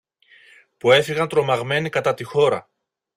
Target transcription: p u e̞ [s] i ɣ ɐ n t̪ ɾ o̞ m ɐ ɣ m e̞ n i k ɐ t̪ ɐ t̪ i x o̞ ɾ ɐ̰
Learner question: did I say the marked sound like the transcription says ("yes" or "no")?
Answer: no